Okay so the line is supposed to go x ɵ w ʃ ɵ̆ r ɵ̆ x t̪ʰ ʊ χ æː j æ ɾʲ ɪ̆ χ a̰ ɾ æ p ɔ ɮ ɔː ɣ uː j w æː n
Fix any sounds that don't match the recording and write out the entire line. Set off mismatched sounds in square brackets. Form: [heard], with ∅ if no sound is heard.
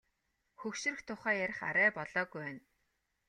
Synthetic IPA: x ɵ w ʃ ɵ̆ r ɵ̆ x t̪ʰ ʊ χ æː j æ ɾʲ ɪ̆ χ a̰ ɾ [æː] p ɔ ɮ ɔː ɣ [u] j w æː n